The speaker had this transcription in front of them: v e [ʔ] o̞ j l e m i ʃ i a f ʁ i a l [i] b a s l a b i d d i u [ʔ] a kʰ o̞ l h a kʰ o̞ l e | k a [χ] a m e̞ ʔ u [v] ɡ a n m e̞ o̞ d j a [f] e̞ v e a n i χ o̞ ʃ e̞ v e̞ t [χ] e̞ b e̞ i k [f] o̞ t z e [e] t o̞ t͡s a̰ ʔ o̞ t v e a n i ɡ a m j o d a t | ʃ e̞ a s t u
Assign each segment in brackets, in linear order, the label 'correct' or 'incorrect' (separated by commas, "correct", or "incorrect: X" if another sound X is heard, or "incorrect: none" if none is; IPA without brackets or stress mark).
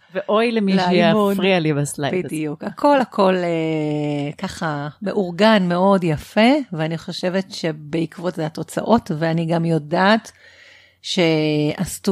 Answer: correct, correct, incorrect: k, correct, incorrect: ʁ, correct, incorrect: ʃ, incorrect: v, incorrect: a